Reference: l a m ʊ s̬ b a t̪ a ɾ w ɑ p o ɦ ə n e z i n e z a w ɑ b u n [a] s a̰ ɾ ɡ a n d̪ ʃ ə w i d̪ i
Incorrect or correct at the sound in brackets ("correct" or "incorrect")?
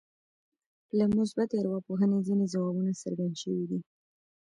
correct